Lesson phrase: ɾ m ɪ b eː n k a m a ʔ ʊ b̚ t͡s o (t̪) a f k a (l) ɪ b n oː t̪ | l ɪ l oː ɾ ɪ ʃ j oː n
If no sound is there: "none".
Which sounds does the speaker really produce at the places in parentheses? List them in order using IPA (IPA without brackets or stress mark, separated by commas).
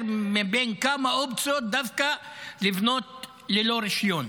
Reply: d̪, l